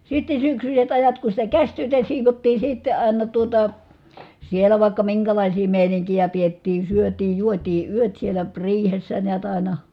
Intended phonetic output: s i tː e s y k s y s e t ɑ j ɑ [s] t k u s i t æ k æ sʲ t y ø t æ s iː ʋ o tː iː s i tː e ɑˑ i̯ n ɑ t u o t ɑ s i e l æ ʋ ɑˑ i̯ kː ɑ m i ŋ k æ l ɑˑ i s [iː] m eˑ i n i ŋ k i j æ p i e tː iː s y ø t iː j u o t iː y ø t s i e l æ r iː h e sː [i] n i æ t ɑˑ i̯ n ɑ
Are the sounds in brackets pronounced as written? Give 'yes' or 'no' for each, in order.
no, yes, no

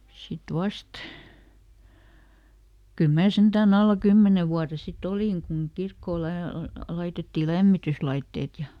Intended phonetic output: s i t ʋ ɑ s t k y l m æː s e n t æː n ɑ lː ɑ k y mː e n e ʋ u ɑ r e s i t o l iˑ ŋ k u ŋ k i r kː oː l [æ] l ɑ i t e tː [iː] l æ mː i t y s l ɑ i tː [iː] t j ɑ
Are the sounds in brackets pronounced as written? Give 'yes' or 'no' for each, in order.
yes, yes, no

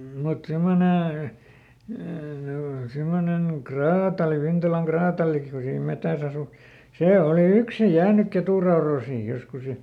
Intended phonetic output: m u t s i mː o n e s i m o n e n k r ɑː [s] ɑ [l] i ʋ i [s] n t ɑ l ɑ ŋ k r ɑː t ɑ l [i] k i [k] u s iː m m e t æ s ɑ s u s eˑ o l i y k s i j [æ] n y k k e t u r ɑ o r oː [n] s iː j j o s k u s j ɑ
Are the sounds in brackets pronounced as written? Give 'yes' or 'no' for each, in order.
no, yes, no, yes, yes, no, no

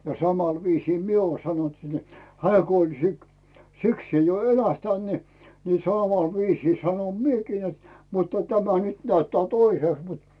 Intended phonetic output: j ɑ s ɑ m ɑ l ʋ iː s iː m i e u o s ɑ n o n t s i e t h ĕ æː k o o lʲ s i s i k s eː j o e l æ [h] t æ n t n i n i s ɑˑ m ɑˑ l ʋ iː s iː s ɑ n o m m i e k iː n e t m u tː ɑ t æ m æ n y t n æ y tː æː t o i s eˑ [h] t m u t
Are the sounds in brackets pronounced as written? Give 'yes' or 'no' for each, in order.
yes, no

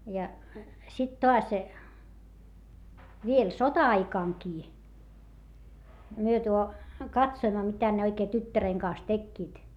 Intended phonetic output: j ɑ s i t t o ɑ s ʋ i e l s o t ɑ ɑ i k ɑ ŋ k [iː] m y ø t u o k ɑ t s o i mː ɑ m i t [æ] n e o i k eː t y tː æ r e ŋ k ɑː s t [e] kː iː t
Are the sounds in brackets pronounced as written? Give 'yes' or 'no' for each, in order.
yes, yes, yes

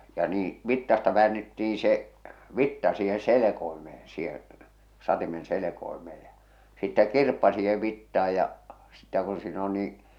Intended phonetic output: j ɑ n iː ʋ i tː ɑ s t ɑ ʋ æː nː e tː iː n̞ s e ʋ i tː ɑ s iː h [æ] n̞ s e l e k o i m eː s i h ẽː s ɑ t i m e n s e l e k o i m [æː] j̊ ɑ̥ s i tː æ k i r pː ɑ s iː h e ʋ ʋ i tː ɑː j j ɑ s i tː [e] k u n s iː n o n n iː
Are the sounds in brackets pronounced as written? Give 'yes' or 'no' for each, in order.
no, no, no

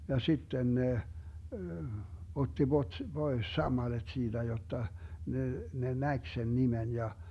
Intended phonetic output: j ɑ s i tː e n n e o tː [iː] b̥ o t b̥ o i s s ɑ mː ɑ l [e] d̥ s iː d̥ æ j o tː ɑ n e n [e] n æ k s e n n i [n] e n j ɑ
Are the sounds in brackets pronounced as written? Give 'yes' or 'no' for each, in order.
no, yes, yes, no

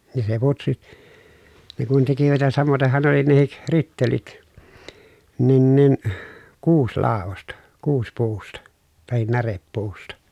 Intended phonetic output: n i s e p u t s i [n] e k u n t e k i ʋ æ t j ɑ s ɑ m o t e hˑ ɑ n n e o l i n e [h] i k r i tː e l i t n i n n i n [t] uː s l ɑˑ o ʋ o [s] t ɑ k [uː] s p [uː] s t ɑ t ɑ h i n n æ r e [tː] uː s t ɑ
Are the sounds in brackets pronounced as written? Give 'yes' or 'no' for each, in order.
yes, yes, no, yes, yes, yes, no

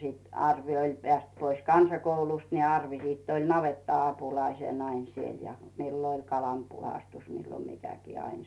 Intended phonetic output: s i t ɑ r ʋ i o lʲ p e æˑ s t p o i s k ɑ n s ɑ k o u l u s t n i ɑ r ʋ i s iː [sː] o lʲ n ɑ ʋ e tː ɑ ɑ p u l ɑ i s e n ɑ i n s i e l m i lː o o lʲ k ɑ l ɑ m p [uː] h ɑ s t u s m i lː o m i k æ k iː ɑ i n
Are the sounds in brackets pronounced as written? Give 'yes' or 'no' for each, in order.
no, no

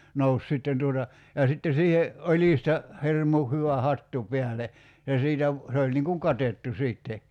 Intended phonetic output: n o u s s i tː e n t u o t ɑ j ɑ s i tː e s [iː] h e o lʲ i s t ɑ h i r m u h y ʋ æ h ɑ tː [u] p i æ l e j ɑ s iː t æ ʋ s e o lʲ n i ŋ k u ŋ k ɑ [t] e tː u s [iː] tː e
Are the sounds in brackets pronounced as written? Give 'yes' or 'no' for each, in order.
yes, yes, yes, yes

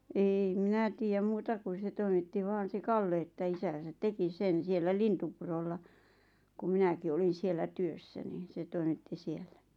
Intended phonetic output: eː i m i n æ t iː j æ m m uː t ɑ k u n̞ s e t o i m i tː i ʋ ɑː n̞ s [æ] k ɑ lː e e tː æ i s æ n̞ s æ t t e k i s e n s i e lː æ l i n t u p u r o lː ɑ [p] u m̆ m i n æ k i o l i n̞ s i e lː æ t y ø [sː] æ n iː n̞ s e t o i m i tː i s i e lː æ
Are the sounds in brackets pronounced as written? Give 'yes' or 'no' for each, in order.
no, no, yes

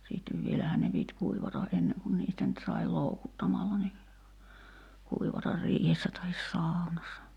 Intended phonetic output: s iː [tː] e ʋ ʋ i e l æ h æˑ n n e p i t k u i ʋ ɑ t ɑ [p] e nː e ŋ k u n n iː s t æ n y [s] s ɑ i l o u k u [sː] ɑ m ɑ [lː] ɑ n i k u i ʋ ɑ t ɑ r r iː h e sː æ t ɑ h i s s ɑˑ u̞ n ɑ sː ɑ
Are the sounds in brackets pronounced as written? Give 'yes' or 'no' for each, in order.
yes, no, no, no, yes

